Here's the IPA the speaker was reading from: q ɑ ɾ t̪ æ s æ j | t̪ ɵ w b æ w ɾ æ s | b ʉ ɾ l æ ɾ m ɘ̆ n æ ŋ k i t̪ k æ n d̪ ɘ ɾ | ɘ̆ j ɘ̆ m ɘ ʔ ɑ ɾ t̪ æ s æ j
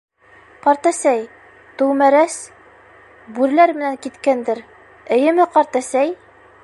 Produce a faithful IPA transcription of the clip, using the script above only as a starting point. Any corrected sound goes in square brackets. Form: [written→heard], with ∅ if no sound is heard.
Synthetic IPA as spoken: q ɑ ɾ t̪ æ s æ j | t̪ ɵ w [b→m] æ [w→∅] ɾ æ s | b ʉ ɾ l æ ɾ m ɘ̆ n æ ŋ k i t̪ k æ n d̪ ɘ ɾ | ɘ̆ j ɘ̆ m ɘ [ʔ→q] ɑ ɾ t̪ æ s æ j